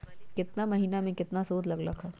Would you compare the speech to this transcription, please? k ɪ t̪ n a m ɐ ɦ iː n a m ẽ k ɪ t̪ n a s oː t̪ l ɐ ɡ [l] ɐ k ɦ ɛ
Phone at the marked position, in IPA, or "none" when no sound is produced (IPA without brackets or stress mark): l